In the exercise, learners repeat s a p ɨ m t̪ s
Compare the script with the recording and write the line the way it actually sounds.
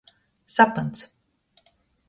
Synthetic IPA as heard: s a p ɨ n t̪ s